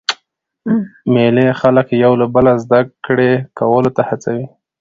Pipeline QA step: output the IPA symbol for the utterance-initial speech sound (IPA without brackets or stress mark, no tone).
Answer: m